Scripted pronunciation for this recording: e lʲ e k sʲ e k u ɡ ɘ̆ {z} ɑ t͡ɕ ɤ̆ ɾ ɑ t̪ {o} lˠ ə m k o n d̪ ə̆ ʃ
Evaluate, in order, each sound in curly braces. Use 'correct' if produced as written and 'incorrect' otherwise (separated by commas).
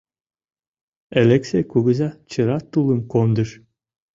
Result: correct, incorrect